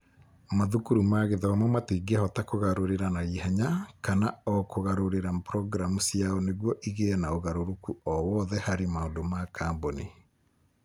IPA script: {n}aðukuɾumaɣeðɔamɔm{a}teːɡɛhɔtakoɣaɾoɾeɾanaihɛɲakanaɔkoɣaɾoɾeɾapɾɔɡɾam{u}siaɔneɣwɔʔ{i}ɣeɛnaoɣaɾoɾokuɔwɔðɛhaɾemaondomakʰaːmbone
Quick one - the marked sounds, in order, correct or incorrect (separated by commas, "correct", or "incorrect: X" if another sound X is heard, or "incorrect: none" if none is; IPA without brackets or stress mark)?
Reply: incorrect: m, correct, correct, correct